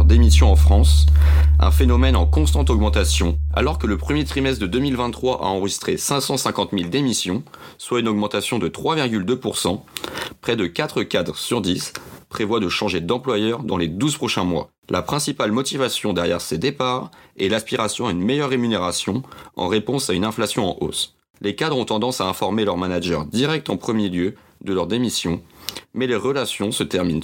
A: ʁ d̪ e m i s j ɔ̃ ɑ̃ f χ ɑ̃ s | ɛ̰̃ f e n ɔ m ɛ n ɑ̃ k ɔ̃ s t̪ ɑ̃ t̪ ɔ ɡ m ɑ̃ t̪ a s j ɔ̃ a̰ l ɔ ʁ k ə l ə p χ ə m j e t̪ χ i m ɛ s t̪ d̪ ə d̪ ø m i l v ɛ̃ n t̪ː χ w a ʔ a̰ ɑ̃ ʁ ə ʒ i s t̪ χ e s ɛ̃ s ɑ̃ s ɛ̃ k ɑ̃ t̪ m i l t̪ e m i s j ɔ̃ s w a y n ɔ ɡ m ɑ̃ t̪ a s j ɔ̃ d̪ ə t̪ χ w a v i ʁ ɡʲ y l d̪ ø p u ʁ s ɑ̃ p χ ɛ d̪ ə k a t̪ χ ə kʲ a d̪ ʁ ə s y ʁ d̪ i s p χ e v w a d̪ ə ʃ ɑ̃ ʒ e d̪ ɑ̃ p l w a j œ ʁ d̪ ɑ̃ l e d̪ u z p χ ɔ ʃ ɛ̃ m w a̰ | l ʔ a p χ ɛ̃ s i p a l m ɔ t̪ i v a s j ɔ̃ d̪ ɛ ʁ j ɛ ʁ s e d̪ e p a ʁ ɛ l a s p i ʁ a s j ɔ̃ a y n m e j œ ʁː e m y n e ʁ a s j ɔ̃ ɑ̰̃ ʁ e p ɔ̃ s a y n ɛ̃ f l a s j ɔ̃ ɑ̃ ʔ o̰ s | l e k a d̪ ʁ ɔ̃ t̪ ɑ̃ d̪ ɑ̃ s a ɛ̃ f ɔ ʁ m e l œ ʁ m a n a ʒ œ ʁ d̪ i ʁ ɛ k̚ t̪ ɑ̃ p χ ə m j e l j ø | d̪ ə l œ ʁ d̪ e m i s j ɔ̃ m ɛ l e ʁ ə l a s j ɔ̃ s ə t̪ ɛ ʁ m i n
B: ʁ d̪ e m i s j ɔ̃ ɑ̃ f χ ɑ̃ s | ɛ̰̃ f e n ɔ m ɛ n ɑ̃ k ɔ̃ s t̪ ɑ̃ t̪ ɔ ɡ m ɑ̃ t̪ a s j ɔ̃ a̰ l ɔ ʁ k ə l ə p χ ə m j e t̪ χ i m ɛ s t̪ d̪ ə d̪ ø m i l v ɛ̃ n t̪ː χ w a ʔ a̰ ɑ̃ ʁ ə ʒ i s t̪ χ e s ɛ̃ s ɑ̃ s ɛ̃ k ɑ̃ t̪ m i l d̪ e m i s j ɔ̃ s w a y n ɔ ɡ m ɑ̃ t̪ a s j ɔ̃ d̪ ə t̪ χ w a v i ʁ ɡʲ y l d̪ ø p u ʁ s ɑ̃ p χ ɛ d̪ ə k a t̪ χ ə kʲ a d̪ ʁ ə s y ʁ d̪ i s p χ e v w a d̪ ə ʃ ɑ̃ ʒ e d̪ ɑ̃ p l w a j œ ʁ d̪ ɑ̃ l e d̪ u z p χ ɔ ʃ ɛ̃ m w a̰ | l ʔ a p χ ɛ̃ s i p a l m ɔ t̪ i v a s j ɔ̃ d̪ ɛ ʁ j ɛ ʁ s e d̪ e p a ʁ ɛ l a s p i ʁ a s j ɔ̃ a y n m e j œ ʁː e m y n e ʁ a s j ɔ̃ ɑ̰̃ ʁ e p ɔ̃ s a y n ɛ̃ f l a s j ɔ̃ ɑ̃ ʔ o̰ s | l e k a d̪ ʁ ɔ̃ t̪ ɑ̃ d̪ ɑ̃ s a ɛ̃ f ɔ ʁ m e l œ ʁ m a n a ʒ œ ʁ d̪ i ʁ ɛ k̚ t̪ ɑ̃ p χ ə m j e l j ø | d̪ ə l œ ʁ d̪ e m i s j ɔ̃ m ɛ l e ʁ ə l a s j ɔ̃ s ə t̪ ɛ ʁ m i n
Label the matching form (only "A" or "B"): B